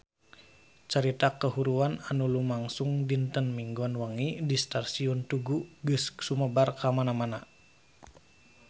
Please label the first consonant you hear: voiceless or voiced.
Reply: voiceless